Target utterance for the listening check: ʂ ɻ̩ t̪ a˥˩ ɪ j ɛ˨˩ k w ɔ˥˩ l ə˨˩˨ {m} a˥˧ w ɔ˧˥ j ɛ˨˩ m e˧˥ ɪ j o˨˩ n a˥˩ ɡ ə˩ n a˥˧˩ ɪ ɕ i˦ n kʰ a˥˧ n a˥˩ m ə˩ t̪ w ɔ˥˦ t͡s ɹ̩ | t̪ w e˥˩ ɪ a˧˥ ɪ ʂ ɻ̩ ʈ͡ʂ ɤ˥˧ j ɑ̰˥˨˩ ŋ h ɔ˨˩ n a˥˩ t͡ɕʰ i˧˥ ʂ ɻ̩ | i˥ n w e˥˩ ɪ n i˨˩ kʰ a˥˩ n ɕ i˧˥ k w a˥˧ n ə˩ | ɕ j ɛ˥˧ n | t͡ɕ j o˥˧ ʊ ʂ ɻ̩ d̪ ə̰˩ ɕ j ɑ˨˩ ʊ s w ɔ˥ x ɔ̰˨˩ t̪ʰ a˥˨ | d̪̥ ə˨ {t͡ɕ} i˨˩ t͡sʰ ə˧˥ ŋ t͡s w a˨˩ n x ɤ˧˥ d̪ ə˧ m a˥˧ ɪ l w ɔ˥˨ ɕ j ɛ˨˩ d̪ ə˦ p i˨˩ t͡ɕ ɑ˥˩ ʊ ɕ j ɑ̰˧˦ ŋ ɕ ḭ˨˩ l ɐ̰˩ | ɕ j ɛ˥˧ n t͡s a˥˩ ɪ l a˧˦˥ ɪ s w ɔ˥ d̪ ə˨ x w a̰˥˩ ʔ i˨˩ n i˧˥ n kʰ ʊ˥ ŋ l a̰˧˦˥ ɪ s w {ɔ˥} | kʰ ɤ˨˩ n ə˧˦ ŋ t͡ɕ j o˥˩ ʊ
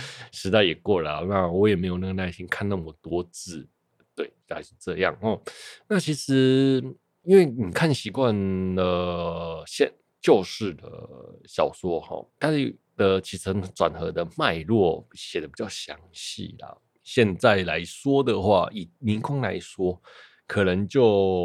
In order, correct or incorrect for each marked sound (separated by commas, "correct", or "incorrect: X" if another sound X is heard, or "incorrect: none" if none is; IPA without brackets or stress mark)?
incorrect: n, incorrect: t͡ɕʰ, correct